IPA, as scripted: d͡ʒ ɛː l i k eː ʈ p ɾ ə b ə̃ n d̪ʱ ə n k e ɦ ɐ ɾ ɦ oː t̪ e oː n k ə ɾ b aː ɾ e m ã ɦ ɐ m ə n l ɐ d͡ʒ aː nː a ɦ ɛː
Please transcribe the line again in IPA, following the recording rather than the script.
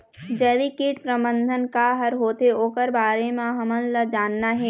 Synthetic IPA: d͡ʒ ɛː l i k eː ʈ p ɾ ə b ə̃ n d̪ʱ ə n k a ɦ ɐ ɾ ɦ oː t̪ e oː k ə ɾ b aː ɾ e m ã ɦ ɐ m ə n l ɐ d͡ʒ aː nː a ɦ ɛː

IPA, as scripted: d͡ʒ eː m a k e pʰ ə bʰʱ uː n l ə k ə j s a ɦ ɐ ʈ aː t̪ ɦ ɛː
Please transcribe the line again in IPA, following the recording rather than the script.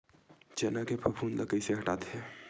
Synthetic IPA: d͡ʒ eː n a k e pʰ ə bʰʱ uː n l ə k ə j s e ɦ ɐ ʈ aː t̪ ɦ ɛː

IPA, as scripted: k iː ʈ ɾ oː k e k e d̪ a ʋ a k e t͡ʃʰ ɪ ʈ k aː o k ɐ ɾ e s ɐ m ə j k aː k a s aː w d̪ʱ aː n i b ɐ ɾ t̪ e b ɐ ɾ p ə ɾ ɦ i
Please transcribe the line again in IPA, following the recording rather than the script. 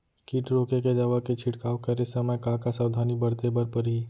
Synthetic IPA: k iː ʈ ɾ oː k e k e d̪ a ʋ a k e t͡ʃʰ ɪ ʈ k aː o k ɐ ɾ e s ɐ m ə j k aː k a s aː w d̪ʱ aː n i b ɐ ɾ t̪ e b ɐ ɾ p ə ɾ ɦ i

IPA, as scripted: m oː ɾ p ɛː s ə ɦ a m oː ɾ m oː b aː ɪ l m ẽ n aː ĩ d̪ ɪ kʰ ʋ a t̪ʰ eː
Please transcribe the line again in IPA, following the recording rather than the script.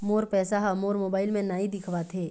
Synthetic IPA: m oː ɾ p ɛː s a ɦ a m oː ɾ m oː b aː ɪ l m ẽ n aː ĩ d̪ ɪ kʰ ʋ a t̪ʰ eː

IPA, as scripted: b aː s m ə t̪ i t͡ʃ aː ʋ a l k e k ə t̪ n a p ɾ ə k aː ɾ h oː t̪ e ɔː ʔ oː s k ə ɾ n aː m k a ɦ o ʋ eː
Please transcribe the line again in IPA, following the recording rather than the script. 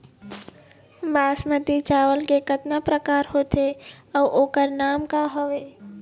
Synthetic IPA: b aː s m ə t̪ i t͡ʃ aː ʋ ə l k e k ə t̪ n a p ɾ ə k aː ɾ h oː t̪ e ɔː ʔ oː k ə ɾ n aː m k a ɦ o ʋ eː

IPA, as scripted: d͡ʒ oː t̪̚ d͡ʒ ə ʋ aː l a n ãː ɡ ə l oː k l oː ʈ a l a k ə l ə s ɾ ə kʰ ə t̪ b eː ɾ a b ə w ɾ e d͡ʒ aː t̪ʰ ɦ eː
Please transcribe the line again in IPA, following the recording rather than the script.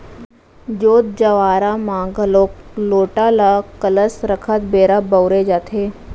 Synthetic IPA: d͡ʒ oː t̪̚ d͡ʒ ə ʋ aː ɾ a m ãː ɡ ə l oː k l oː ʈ a l a k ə l ə s ɾ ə kʰ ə t̪ b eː ɾ a b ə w ɾ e d͡ʒ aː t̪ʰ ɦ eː

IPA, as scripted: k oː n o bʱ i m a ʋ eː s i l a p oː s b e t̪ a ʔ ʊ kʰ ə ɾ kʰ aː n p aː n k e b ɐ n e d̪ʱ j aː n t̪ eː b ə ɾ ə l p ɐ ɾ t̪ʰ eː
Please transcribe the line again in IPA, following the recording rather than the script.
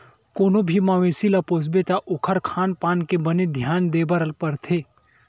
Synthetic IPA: k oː n o bʱ i m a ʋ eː s i l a p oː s b e t̪ a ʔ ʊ kʰ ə ɾ kʰ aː n p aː n k e b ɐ n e d̪ʱ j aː n d̪ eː b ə ɾ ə l p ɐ ɾ t̪ʰ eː

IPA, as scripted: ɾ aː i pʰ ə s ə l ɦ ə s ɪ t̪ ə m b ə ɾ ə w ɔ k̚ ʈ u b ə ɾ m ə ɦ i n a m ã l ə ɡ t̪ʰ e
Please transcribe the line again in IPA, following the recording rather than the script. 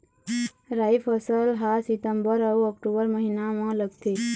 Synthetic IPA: ɾ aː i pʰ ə s ə l ɦ a s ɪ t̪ ə m b ə ɾ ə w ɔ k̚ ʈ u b ə ɾ m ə ɦ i n a m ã l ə ɡ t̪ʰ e

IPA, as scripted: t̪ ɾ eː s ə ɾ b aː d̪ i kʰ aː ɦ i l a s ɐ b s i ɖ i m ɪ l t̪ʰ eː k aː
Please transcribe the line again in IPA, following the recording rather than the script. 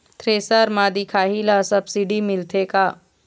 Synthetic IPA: t̪ ɾ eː s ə ɾ m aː d̪ i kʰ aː ɦ i l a s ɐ b s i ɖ i m ɪ l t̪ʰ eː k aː

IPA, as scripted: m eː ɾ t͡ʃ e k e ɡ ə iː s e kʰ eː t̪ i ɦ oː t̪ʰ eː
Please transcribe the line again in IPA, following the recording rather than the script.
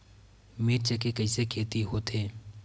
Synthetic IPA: m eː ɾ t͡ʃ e k e k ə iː s e kʰ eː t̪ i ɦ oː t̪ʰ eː

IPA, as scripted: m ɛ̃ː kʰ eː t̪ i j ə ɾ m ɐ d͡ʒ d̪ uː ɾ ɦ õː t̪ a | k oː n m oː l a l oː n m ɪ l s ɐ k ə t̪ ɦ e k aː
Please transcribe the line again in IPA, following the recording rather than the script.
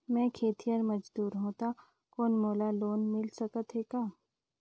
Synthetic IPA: m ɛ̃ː kʰ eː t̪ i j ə ɾ m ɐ d͡ʒ d̪ uː ɾ ɦ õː t̪ a | k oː n m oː l a l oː n m ɪ l s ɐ k ə t̪ ɦ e k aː

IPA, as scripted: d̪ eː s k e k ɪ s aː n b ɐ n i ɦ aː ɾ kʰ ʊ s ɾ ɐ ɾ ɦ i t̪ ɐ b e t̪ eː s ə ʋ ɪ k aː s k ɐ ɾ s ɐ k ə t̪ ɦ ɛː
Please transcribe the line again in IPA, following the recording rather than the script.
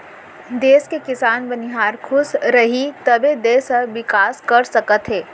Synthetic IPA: d̪ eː s k e k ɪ s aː n b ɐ n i ɦ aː ɾ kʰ ʊ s ɾ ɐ ɦ i t̪ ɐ b e d̪ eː s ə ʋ ɪ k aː s k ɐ ɾ s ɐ k ə t̪ ɦ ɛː

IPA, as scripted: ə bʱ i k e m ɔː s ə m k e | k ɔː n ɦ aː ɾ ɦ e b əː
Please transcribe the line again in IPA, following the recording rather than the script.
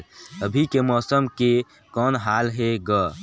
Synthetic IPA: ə bʱ i k e m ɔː s ə m k e | k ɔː n ɦ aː l ɦ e ɡ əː

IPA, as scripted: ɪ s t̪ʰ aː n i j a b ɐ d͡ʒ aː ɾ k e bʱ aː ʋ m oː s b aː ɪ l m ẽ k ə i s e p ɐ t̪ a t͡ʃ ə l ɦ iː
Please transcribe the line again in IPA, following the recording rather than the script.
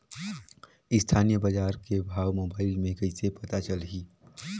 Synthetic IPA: ɪ s t̪ʰ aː n i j ə b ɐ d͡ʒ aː ɾ k e bʱ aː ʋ m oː b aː ɪ l m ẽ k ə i s e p ɐ t̪ a t͡ʃ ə l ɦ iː

